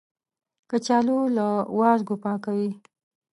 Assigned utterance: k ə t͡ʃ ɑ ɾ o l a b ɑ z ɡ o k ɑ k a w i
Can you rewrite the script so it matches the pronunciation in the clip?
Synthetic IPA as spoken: k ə t͡ʃ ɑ l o l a w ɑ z ɡ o p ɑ k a w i

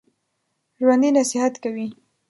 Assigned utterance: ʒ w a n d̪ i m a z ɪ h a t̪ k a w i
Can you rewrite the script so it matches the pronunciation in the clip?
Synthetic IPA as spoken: ʒ w a n d̪ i n a s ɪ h a t̪ k a w i

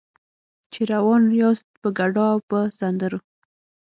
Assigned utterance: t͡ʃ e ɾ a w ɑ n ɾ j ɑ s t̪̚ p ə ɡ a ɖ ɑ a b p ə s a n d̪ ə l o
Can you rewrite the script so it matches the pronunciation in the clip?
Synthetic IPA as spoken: t͡ʃ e ɾ a w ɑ n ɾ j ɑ s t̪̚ p ə ɡ a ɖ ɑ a w p ə s a n d̪ ə ɾ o

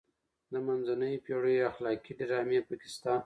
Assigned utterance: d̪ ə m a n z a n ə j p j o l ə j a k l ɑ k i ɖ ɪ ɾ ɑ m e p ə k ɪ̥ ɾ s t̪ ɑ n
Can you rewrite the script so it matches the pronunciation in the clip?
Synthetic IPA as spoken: d̪ ə m a n z a n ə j p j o ɽ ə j a x l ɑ k i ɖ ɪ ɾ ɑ m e p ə k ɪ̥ s t̪ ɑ n

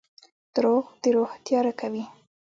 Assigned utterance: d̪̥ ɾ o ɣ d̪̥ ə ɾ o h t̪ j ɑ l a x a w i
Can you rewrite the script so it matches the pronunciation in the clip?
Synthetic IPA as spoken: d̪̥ ɾ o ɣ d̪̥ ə ɾ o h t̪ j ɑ ɾ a k a w i

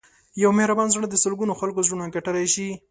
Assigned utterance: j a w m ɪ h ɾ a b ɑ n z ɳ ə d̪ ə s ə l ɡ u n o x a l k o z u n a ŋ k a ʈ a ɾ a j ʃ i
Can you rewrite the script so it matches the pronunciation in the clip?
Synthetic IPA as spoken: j a w m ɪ h ɾ a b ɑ n z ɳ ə d̪ ə s ə l ɡ u n o x a l k o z u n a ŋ k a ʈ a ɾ a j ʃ i

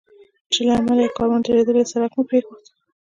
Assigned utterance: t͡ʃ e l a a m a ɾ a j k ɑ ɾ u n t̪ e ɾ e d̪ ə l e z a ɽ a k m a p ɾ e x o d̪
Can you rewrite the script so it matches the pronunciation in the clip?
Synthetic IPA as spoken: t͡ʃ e l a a m a l a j k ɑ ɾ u n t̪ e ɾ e d̪ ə l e s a ɾ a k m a p ɾ e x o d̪

